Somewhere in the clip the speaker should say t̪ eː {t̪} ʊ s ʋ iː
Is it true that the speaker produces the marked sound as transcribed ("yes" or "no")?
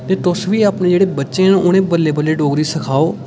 yes